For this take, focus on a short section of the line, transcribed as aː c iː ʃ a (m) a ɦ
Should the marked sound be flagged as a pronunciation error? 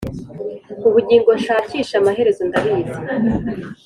no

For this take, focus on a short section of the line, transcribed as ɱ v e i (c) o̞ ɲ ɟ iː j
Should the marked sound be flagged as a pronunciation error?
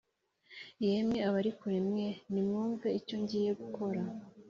no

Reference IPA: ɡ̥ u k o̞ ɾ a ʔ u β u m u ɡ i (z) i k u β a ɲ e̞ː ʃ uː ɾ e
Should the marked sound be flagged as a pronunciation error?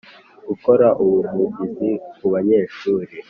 no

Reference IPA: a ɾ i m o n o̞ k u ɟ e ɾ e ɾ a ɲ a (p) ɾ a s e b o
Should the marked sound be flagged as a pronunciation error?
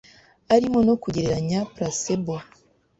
no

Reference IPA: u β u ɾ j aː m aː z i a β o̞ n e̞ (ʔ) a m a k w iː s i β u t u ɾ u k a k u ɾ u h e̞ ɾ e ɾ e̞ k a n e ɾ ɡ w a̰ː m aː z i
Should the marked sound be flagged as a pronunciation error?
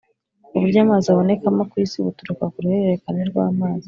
yes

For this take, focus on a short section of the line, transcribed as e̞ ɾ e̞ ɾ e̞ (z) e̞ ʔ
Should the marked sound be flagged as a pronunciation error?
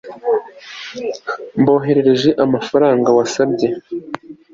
yes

